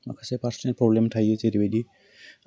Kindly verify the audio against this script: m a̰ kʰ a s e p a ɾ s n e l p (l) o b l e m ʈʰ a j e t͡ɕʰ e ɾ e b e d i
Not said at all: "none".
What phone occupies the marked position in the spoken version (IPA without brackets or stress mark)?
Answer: ɾ